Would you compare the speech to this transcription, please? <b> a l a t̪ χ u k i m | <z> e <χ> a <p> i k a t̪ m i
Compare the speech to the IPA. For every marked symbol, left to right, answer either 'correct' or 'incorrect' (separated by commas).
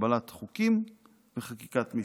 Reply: correct, incorrect, correct, incorrect